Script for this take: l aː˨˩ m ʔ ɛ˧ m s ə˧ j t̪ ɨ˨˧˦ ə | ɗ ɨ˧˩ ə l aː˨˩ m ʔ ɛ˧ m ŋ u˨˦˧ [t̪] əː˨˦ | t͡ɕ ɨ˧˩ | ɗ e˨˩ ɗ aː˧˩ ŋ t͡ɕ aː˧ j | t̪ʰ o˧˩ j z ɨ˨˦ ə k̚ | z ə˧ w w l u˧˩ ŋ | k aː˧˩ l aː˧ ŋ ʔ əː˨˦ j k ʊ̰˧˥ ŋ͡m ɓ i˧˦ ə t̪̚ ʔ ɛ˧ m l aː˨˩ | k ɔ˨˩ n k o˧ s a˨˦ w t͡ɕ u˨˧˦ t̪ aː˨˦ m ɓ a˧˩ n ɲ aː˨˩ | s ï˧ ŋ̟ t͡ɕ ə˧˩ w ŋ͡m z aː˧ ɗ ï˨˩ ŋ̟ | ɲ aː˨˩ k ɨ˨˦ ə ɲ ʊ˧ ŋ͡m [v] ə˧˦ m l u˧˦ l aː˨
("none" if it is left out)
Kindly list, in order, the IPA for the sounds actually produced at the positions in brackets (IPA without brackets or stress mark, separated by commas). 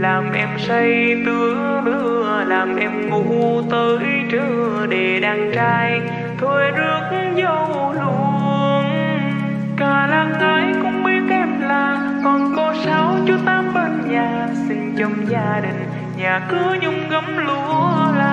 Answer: t̪, ɣ